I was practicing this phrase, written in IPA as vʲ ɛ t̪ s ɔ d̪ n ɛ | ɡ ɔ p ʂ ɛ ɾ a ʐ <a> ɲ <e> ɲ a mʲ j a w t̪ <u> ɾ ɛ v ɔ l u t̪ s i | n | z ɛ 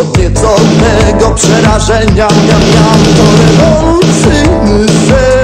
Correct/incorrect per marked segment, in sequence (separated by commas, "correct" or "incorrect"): incorrect, incorrect, incorrect